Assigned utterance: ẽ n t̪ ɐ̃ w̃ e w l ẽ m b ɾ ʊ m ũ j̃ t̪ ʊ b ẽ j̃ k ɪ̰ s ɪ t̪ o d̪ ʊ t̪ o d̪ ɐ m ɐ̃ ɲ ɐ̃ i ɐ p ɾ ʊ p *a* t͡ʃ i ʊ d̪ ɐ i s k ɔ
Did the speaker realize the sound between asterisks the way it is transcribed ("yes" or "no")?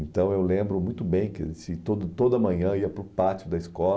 yes